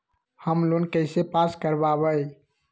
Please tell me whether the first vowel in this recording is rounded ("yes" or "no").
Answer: no